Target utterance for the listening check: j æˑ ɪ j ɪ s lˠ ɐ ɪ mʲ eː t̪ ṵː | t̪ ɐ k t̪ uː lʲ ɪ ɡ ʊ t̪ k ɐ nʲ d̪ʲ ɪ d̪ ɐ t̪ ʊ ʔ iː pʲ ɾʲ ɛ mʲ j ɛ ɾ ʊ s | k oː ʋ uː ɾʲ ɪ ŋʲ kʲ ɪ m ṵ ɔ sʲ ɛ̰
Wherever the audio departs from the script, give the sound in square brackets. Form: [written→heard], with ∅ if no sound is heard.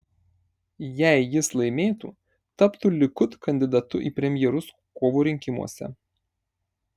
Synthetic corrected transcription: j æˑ ɪ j ɪ s lˠ ɐ ɪ mʲ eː t̪ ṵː | t̪ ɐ [k→p] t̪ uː lʲ ɪ [ɡ→k] ʊ t̪ k ɐ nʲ d̪ʲ ɪ d̪ ɐ t̪ ʊ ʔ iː pʲ ɾʲ ɛ mʲ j ɛ ɾ ʊ s | k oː ʋ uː ɾʲ ɪ ŋʲ kʲ ɪ m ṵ ɔ sʲ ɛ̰

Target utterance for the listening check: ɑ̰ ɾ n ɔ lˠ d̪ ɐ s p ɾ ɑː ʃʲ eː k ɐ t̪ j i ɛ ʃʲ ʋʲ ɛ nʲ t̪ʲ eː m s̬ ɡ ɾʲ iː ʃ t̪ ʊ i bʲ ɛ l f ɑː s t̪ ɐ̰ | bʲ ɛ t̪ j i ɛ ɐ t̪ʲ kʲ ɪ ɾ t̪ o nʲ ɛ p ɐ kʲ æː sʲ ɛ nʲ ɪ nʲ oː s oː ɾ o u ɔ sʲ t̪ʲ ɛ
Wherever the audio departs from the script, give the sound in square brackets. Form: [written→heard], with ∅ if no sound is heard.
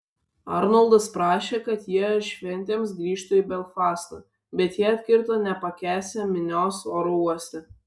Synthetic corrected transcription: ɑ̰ ɾ n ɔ lˠ d̪ ɐ s p ɾ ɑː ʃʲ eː k ɐ t̪ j i ɛ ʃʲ ʋʲ ɛ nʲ t̪ʲ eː m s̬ ɡ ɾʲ iː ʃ t̪ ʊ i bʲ ɛ l f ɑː s t̪ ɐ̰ | bʲ ɛ t̪ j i ɛ ɐ t̪ʲ kʲ ɪ ɾ t̪ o nʲ ɛ p ɐ kʲ æː sʲ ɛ [nʲ→mʲ] ɪ nʲ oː s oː ɾ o u ɔ sʲ t̪ʲ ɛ

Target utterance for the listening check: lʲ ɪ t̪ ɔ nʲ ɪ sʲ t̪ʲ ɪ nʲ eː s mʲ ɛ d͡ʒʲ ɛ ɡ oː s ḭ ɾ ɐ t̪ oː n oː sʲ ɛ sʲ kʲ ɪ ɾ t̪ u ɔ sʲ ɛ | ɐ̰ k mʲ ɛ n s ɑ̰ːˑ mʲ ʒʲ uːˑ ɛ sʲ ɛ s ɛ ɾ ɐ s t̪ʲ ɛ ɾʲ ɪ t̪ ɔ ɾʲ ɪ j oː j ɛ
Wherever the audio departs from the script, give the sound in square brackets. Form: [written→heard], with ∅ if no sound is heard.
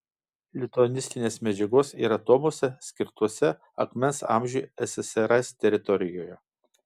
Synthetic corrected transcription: lʲ ɪ t̪ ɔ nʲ ɪ sʲ t̪ʲ ɪ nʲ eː s mʲ ɛ d͡ʒʲ ɛ ɡ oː s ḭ ɾ ɐ t̪ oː [n→m] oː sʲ ɛ sʲ kʲ ɪ ɾ t̪ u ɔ sʲ ɛ | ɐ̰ k mʲ ɛ n s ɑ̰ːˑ mʲ ʒʲ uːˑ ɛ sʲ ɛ s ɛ ɾ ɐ s t̪ʲ ɛ ɾʲ ɪ t̪ ɔ ɾʲ ɪ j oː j ɛ

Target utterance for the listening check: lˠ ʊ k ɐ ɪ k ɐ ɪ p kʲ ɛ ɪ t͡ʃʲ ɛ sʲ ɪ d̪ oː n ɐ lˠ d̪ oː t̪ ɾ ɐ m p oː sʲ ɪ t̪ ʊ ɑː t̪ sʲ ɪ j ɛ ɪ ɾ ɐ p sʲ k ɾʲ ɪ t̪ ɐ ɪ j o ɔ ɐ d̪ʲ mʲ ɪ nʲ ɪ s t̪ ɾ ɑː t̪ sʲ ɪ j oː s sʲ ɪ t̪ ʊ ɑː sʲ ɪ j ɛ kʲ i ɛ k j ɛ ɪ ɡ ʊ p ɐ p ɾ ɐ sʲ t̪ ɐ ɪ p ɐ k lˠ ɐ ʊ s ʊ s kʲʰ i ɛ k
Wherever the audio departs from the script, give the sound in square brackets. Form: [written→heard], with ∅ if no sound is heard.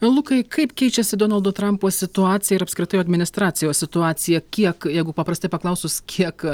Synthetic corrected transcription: lˠ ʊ k ɐ ɪ k ɐ ɪ p kʲ ɛ ɪ t͡ʃʲ ɛ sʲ ɪ d̪ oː n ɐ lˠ d̪ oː t̪ ɾ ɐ m p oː sʲ ɪ t̪ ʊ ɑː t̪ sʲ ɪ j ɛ ɪ ɾ ɐ p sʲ k ɾʲ ɪ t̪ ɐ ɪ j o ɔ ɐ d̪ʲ mʲ ɪ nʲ ɪ s t̪ ɾ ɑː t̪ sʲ ɪ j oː s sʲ ɪ t̪ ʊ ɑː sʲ ɪ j ɛ kʲ i ɛ k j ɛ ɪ ɡ ʊ p ɐ p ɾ ɐ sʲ t̪ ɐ ɪ p ɐ k lˠ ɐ ʊ s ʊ s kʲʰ i ɛ k

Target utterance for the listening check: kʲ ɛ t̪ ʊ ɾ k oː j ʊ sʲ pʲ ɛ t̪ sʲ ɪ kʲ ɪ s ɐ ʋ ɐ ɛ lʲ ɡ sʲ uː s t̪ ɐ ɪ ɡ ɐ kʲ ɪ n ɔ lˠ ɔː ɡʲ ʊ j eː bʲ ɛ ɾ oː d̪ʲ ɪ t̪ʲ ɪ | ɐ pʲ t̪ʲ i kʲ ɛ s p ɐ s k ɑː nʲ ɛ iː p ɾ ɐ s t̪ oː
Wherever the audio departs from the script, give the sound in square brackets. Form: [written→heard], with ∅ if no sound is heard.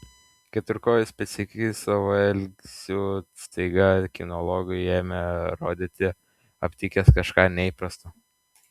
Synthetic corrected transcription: kʲ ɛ t̪ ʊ ɾ k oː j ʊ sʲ pʲ ɛ t̪ sʲ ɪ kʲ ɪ s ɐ ʋ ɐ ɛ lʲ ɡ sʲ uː s t̪ ɐ ɪ ɡ ɐ kʲ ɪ n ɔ lˠ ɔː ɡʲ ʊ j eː [bʲ→mʲ] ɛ ɾ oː d̪ʲ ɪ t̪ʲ ɪ | ɐ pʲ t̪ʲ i kʲ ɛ s [p→k] ɐ [s→ʃ] k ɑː nʲ ɛ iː p ɾ ɐ s t̪ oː

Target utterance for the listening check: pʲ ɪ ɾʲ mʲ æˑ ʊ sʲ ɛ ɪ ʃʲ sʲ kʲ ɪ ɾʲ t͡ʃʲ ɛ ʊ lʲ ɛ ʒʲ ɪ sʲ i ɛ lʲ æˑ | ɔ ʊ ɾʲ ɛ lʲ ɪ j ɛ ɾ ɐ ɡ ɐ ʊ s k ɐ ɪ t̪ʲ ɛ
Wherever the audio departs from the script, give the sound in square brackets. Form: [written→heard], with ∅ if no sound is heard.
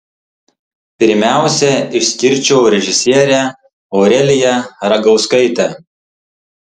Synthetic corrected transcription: pʲ ɪ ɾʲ mʲ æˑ ʊ sʲ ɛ ɪ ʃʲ sʲ kʲ ɪ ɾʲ t͡ʃʲ ɛ ʊ [lʲ→ɾʲ] ɛ ʒʲ ɪ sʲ i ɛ [lʲ→ɾʲ] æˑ | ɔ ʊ ɾʲ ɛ lʲ ɪ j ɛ ɾ ɐ ɡ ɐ ʊ s k ɐ ɪ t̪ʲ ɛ

